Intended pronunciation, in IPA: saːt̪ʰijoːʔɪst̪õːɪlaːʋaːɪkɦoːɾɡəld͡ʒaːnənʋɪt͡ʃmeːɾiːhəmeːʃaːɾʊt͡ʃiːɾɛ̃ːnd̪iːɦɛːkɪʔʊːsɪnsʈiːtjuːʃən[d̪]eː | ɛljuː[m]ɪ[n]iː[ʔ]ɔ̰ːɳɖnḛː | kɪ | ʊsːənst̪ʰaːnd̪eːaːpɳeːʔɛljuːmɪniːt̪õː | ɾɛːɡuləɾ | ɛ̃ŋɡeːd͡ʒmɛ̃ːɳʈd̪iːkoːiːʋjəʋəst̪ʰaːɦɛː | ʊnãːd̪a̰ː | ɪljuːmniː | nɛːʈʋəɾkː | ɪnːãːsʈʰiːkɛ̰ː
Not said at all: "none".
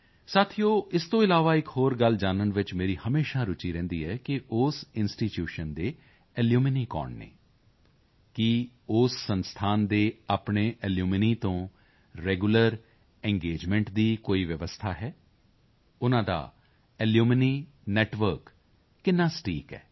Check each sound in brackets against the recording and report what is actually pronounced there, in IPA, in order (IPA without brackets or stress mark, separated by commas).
d̪, m, n, k